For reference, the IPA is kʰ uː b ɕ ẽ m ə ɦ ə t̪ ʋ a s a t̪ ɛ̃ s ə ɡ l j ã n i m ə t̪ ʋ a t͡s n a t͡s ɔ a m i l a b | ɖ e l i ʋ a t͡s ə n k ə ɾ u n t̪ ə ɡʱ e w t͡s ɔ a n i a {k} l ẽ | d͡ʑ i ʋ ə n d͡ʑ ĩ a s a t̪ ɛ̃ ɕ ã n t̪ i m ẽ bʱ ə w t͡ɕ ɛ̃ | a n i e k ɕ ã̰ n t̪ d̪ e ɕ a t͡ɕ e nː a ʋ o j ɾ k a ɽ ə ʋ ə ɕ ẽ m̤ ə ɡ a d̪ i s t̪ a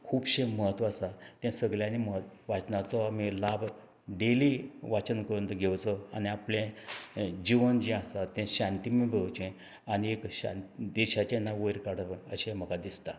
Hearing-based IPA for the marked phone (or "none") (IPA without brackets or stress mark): p